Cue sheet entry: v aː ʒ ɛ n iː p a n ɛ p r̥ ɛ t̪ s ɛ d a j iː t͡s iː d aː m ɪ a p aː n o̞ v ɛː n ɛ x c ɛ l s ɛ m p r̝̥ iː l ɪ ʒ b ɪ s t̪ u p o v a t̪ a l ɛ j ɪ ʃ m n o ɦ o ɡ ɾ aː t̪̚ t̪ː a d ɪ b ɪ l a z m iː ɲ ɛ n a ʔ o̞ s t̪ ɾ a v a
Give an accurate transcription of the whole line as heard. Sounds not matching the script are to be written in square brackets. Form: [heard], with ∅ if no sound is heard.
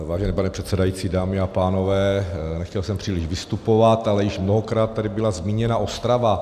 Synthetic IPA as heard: v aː ʒ ɛ n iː p a n ɛ p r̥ ɛ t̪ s ɛ d a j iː t͡s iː d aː m ɪ a p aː n o̞ v ɛː n ɛ x c ɛ l s ɛ m p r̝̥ iː l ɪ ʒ [v] ɪ s t̪ u p o v a t̪ a l ɛ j ɪ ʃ m n o ɦ o [k] ɾ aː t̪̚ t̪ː a d ɪ b ɪ l a z m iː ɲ ɛ n a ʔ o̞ s t̪ ɾ a v a